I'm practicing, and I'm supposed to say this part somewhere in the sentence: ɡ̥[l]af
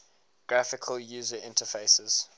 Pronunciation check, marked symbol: incorrect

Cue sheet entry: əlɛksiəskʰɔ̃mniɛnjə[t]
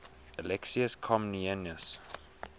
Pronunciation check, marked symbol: incorrect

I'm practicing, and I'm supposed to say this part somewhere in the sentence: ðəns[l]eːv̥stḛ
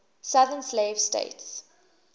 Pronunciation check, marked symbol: correct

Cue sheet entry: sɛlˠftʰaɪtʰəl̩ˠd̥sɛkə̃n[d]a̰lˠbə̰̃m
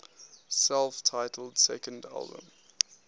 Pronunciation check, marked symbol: correct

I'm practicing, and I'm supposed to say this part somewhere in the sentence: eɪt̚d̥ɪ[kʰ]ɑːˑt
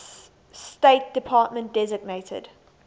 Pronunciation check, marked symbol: incorrect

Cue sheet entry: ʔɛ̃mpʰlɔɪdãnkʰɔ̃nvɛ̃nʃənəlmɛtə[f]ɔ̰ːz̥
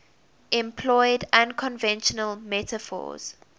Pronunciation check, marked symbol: correct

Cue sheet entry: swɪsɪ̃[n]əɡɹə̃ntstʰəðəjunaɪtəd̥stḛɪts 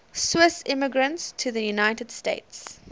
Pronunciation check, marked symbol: incorrect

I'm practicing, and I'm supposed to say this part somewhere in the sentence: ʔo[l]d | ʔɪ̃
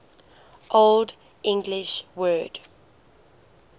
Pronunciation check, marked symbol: correct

